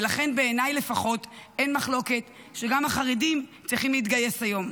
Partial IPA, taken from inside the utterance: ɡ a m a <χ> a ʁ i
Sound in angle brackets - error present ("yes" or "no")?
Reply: no